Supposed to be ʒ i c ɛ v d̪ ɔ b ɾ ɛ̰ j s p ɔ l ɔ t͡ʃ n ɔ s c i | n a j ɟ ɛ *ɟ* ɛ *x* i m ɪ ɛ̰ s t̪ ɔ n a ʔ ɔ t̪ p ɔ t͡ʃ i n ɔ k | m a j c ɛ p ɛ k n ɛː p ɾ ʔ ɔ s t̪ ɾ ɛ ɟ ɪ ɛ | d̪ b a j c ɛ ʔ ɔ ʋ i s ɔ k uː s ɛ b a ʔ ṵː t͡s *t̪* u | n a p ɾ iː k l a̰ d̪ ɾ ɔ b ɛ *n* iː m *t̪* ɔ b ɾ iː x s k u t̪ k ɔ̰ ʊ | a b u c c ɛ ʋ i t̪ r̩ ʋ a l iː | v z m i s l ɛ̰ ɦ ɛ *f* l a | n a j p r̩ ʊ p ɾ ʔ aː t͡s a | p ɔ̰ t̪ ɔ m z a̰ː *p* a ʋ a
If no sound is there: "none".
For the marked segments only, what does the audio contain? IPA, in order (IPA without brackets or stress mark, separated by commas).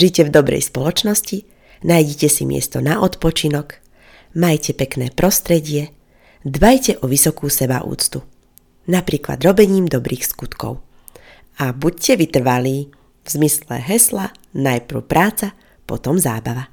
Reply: c, s, t̪, ɲ, d̪, s, b